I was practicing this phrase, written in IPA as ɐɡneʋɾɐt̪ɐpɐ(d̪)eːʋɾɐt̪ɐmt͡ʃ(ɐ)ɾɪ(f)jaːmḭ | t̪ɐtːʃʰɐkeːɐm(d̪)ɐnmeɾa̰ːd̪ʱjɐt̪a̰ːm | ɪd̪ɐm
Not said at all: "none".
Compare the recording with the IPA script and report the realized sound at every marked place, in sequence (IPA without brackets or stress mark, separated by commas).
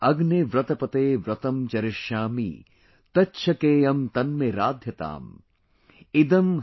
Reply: t̪, ɐ, ʃ, t̪